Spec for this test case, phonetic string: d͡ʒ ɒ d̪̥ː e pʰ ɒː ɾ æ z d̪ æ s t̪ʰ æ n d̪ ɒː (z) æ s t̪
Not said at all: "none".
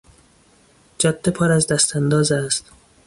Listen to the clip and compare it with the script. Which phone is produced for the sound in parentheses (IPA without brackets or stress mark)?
z